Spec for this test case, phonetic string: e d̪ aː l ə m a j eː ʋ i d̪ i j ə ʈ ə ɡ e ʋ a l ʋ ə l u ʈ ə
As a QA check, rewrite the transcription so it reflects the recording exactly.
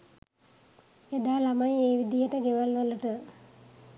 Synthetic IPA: e d̪ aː l a m a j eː ʋ i d̪ i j ə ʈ ə ɡ e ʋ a l ʋ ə l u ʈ ə

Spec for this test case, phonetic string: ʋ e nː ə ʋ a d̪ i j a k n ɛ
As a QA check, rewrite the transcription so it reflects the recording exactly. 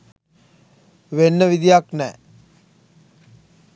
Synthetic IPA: ʋ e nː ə ʋ i d̪ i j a k n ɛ

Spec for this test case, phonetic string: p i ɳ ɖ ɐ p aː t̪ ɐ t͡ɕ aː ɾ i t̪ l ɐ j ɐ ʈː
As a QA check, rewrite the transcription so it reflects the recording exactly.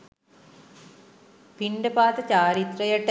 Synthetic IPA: p i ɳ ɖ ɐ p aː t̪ ɐ t͡ɕ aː ɾ i t̪ r ɐ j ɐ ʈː

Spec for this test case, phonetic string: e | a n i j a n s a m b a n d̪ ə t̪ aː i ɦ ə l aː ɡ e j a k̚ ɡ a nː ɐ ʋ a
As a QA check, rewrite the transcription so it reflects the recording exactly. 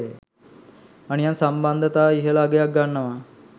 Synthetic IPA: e | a n i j a n s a m b a n d̪ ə t̪ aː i ɦ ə l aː ɡ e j a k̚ ɡ a nː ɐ ʋ a

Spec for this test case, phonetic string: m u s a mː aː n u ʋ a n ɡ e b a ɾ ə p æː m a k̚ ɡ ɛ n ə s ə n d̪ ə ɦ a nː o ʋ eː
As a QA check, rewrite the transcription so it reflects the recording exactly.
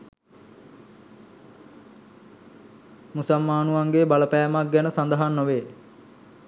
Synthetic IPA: m u s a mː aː n u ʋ a ŋ ɡ e b a l ə p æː m a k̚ ɡ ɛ n ə s a n d̪ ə ɦ a nː o ʋ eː

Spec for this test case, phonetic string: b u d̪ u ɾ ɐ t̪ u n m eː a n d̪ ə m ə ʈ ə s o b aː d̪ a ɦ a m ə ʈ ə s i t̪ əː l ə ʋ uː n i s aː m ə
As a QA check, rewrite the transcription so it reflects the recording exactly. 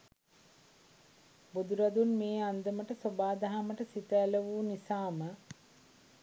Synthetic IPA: b u d̪ u ɾ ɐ d̪ u n m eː a n d̪ ə m ə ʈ ə s o b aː d̪ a ɦ a m ə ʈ ə s i t̪ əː l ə ʋ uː n i s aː m ə

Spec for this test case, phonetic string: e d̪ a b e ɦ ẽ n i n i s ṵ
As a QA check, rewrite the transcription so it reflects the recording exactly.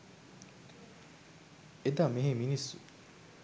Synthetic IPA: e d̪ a m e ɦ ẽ m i n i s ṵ

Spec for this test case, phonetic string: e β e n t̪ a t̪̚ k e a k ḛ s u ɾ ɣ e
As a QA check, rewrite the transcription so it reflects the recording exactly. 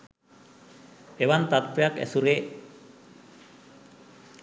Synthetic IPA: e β a n t̪ a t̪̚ p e a k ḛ s u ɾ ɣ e

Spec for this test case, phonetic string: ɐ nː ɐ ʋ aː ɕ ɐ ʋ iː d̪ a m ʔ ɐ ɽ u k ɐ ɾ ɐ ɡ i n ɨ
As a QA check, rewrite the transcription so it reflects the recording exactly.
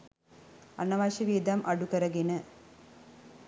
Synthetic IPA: ɐ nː ɐ ʋ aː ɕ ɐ ʋ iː d̪ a m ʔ ɐ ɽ u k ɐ ɾ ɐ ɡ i n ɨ

